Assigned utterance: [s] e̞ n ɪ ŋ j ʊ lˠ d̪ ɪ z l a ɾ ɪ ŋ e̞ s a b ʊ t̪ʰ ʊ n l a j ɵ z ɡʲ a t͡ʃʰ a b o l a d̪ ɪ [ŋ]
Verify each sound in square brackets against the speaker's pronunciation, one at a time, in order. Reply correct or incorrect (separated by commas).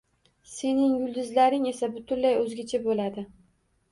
correct, incorrect